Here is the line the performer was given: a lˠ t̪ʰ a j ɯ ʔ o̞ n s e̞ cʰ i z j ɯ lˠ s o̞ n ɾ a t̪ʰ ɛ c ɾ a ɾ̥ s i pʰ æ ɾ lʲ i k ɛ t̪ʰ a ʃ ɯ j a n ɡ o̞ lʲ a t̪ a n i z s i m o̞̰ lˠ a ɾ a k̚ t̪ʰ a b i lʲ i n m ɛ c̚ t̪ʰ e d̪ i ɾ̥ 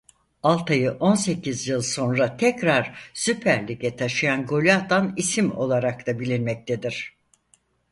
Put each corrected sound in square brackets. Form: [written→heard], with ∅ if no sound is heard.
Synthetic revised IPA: a lˠ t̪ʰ a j ɯ ʔ o̞ n s e̞ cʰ i z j ɯ lˠ s o̞ n ɾ a t̪ʰ ɛ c ɾ a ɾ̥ s [i→y] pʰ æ ɾ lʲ i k ɛ t̪ʰ a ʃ ɯ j a n ɡ o̞ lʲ a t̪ a n i [z→∅] s i m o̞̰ lˠ a ɾ a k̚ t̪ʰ a b i lʲ i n m ɛ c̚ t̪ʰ e d̪ i ɾ̥

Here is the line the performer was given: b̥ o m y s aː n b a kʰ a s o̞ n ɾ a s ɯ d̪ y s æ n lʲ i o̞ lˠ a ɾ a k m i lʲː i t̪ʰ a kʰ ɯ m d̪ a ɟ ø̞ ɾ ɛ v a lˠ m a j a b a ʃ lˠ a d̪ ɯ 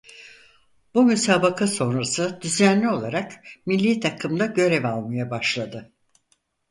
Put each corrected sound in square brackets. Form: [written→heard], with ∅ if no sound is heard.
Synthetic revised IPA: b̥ [o→u] m y s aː [n→∅] b a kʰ a s o̞ n ɾ a s ɯ d̪ y [s→z] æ n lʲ i o̞ lˠ a ɾ a k m i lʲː i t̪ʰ a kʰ ɯ m d̪ a ɟ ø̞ ɾ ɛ v a lˠ m a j a b a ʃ lˠ a d̪ ɯ

